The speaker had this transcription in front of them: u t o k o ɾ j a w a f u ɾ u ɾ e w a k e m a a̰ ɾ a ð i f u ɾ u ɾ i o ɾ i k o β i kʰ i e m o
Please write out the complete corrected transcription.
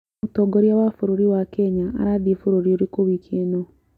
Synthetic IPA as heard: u t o ɡ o ɾ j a w a f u ɾ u ɾ i w a k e ɲ a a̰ ɾ a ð i f u ɾ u ɾ i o ɾ i k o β i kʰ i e n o